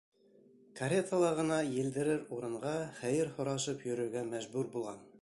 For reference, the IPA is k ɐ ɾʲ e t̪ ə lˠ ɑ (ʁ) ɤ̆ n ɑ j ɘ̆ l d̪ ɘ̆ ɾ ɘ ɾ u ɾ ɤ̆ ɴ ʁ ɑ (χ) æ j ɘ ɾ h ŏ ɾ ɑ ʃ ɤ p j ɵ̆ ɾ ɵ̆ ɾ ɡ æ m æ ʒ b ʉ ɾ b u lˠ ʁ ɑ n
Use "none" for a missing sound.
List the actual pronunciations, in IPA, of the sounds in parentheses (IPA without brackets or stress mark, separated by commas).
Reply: ʁ, χ